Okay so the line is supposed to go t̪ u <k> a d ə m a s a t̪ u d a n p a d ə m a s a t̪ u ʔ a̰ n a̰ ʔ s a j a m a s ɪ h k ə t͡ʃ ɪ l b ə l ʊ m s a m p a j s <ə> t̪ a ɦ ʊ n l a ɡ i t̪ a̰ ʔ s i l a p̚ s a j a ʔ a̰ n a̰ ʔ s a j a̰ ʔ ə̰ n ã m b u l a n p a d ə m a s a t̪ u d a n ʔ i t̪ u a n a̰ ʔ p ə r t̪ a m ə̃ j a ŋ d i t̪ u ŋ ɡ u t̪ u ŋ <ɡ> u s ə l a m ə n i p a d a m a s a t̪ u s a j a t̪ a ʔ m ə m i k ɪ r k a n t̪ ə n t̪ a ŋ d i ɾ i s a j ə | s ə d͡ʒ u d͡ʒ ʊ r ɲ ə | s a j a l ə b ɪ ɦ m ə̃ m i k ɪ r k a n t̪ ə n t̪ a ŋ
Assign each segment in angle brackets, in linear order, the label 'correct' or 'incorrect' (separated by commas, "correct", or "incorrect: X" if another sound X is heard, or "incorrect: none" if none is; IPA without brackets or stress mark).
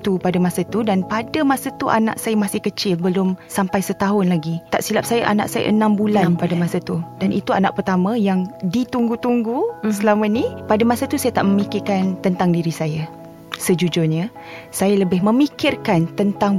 incorrect: p, correct, correct